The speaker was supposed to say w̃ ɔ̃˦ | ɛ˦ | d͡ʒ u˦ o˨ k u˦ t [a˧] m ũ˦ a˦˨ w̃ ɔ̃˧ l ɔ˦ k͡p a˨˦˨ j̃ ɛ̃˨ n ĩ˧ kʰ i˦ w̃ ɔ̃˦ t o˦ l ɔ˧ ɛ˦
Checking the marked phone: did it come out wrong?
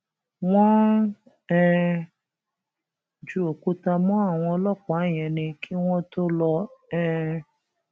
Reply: no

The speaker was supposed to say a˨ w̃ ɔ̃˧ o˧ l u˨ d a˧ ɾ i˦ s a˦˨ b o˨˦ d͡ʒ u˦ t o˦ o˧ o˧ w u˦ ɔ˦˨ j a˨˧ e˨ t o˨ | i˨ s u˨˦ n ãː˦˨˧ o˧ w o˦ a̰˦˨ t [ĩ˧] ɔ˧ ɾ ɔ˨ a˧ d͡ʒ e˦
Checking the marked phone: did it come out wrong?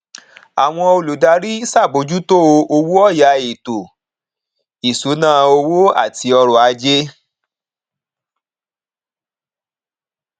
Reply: yes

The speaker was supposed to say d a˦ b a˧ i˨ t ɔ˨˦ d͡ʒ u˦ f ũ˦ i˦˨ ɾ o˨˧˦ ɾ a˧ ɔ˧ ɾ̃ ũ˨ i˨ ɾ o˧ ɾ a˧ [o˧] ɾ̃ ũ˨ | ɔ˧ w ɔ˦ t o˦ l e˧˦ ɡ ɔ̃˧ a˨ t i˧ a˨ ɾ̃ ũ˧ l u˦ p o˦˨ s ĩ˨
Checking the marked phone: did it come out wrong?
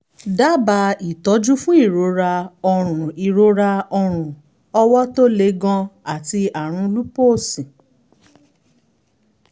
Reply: yes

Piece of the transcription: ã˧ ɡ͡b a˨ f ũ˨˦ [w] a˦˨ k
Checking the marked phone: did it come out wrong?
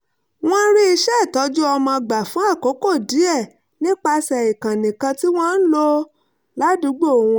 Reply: yes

